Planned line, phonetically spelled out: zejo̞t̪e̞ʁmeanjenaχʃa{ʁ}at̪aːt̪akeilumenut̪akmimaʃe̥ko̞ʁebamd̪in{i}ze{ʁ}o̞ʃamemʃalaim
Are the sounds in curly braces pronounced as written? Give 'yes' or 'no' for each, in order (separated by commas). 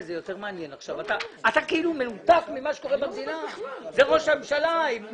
no, no, yes